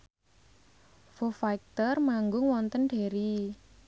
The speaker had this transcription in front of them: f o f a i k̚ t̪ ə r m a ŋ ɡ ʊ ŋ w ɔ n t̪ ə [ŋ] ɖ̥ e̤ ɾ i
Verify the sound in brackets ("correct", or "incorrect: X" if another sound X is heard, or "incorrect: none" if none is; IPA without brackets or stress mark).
incorrect: n